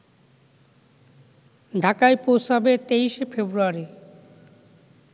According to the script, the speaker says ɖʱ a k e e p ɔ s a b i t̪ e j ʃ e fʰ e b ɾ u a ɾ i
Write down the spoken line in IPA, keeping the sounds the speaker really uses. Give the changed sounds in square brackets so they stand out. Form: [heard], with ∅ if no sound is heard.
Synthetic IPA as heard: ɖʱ a k [a] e p [o] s a b [e] t̪ e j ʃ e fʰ e b ɾ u a ɾ i